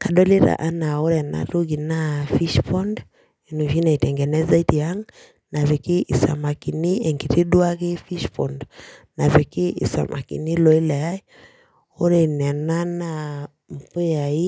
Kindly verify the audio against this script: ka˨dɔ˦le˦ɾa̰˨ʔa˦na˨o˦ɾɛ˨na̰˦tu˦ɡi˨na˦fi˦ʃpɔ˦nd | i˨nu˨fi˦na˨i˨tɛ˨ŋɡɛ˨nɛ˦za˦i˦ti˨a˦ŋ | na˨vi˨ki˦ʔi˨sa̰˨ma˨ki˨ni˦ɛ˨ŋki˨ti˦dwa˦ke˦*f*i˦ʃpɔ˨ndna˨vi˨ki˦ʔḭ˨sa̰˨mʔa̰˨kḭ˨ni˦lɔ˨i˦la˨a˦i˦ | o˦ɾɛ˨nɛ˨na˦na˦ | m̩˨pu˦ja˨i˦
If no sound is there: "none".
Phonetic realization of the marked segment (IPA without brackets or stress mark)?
f